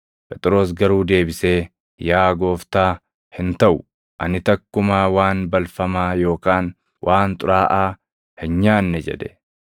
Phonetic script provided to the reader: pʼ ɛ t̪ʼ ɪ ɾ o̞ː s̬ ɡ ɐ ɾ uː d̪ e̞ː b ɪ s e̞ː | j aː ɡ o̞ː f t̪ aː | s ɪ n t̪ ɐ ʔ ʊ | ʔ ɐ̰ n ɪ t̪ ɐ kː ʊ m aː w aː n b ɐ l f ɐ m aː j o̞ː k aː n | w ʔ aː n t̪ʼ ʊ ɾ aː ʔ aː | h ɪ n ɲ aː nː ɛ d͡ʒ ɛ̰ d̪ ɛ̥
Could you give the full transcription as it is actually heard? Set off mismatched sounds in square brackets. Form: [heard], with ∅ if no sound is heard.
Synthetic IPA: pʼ ɛ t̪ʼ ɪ ɾ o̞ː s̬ ɡ ɐ ɾ uː d̪ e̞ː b ɪ s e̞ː | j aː ɡ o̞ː f t̪ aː | [h] ɪ n t̪ ɐ ʔ ʊ | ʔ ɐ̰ n ɪ t̪ ɐ kː ʊ m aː w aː n b ɐ l f ɐ m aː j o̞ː k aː n | w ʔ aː n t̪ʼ ʊ ɾ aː ʔ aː | h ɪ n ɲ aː nː ɛ d͡ʒ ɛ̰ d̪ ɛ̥

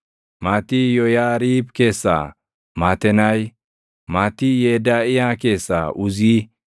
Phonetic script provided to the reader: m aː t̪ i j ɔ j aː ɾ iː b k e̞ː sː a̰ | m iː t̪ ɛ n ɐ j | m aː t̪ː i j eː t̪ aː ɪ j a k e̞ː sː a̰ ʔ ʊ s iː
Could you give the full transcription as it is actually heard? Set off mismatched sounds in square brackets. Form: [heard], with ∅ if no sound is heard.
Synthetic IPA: m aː t̪ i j ɔ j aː ɾ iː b k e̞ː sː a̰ | m [aː] t̪ ɛ n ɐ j | m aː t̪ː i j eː [d̪] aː ɪ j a k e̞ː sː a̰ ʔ ʊ [z] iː

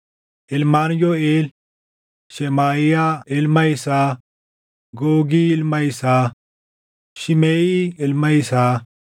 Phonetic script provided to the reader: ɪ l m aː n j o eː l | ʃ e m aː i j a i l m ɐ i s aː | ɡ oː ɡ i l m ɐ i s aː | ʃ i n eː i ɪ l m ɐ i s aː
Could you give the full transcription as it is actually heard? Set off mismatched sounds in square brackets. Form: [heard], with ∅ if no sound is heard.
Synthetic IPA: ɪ l m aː n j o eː l | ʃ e m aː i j a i l m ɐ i s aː | ɡ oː ɡ i l m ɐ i s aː | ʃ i [m] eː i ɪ l m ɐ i s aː

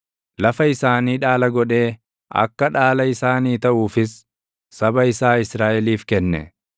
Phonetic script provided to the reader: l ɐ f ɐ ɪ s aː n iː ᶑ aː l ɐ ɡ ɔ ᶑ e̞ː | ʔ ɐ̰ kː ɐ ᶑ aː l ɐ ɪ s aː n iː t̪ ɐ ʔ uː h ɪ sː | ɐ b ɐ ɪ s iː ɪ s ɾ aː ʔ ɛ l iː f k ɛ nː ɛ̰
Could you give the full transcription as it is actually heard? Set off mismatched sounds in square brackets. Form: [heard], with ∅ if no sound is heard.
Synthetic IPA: l ɐ f ɐ ɪ s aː n iː ᶑ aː l ɐ ɡ ɔ ᶑ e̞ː | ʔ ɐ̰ kː ɐ ᶑ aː l ɐ ɪ s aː n iː t̪ ɐ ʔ uː [f] ɪ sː | ɐ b ɐ ɪ s [aː] ɪ s ɾ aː ʔ ɛ l iː f k ɛ nː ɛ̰

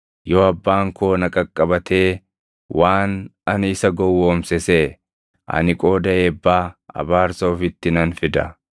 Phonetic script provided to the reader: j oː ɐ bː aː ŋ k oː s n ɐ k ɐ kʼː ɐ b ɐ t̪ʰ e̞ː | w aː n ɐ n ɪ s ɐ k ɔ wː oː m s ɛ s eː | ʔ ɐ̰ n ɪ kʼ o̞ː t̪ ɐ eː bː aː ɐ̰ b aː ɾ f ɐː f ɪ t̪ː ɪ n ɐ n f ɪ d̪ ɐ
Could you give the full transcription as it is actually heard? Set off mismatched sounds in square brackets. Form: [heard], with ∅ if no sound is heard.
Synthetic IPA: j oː ɐ bː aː ŋ k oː [∅] n ɐ [kʼ] ɐ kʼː ɐ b ɐ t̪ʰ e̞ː | w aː n ɐ n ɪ s ɐ [ɡ] ɔ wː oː m s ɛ s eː | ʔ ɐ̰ n ɪ kʼ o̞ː [d̪] ɐ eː bː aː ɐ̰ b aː ɾ [s] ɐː f ɪ t̪ː ɪ n ɐ n f ɪ d̪ ɐ

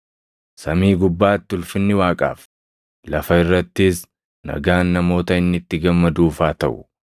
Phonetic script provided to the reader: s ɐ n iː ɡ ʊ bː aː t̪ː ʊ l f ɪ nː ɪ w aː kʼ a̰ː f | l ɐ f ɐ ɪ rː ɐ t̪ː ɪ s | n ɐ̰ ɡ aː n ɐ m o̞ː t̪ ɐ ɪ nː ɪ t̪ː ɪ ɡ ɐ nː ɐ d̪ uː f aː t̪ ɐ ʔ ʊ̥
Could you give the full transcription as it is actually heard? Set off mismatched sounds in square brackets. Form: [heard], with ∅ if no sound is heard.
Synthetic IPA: s ɐ [m] iː ɡ ʊ bː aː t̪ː ʊ l f ɪ nː ɪ w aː kʼ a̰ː f | l ɐ f ɐ ɪ rː ɐ t̪ː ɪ s | n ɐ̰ ɡ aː [nː] ɐ m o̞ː t̪ ɐ ɪ nː ɪ t̪ː ɪ ɡ ɐ [mː] ɐ d̪ uː f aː t̪ ɐ ʔ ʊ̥

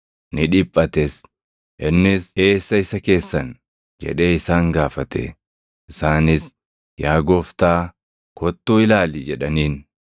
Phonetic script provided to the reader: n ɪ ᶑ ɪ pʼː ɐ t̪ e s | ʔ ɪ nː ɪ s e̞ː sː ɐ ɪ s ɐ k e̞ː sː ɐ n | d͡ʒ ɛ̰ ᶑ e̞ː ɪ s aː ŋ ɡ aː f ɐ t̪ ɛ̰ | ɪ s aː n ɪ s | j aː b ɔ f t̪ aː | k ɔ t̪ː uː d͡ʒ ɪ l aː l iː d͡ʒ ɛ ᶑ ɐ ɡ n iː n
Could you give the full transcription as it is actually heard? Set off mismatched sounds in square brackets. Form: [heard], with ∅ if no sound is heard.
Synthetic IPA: n ɪ ᶑ ɪ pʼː ɐ t̪ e s | ʔ ɪ nː ɪ s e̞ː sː ɐ ɪ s ɐ k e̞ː sː ɐ n | d͡ʒ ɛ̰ ᶑ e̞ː ɪ s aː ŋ ɡ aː f ɐ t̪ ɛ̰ | ɪ s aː n ɪ s | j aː [ɡ] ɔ f t̪ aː | k ɔ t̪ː uː [∅] ɪ l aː l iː d͡ʒ ɛ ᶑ ɐ [∅] n iː n

